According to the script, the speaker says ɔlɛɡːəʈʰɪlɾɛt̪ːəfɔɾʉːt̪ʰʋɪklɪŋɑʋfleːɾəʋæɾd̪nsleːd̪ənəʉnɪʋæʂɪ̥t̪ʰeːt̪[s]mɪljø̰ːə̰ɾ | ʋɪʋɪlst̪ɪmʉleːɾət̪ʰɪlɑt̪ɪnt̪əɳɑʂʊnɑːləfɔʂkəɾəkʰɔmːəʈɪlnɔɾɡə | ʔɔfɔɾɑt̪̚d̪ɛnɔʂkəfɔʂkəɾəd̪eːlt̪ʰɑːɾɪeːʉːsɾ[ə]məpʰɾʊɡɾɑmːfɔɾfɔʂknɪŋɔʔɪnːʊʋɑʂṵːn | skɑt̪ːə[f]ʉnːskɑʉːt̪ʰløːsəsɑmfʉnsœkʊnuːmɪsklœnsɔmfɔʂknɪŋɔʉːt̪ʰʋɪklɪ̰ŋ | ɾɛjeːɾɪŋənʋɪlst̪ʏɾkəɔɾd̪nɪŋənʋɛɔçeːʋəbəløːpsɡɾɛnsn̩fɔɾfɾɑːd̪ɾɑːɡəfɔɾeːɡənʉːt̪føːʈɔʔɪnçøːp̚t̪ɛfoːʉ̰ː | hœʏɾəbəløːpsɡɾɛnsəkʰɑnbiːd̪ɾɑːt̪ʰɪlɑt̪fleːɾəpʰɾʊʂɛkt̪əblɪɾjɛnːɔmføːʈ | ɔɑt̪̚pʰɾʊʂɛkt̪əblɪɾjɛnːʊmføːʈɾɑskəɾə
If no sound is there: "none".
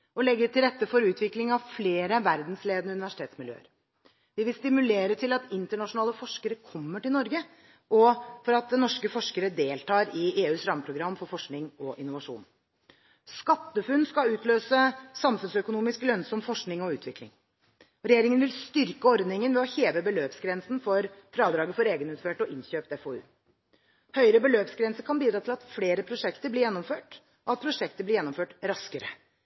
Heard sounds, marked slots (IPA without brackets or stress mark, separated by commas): s, ɑ, f